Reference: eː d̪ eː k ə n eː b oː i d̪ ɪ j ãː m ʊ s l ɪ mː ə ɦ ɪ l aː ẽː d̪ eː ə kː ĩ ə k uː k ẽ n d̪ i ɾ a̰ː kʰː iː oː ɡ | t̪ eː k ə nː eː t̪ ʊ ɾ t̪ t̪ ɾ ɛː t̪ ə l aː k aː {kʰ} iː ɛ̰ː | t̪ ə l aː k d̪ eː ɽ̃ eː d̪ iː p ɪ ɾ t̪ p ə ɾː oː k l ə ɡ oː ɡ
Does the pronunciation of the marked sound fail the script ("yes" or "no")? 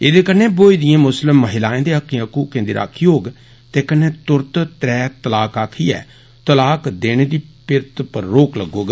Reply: no